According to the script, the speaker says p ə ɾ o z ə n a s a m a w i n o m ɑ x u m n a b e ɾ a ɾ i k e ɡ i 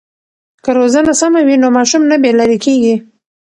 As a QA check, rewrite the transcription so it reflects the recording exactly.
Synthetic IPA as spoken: k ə ɾ o z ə n a s a m a w i n o m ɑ ʃ u m n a b e l a ɾ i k e ɡ i